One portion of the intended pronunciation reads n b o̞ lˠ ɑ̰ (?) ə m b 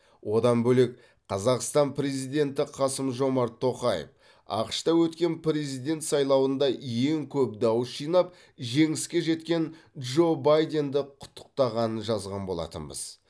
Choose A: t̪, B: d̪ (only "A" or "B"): A